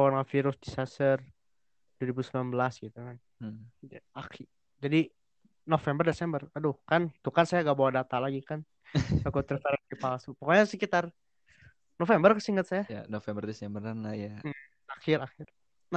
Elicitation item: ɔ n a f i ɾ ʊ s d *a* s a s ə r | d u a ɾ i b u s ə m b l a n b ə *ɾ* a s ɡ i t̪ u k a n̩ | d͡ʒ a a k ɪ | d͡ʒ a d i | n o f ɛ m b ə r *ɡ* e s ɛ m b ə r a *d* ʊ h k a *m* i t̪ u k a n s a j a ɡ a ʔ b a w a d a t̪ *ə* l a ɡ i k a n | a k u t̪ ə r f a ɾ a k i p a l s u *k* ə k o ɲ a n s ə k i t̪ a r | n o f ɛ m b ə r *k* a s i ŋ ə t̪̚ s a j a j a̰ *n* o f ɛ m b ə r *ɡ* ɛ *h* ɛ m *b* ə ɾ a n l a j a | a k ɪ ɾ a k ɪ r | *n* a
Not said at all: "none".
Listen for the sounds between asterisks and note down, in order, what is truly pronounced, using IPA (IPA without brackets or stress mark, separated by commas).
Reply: i, l, d, d, n, a, p, k, n, d, s, b, n